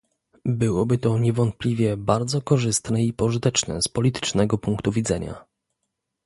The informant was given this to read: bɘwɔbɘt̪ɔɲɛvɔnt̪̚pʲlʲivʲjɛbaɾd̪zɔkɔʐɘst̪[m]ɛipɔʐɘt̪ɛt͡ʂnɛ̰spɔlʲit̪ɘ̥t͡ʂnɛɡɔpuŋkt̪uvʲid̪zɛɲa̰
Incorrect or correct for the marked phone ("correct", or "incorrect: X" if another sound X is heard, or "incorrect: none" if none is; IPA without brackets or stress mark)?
incorrect: n